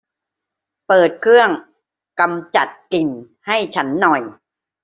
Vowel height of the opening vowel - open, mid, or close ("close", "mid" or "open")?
mid